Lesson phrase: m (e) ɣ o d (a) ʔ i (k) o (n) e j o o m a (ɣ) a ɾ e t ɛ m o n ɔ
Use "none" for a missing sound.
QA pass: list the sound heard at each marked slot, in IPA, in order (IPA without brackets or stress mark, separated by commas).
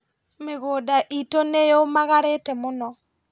e, a, t, n, ɣ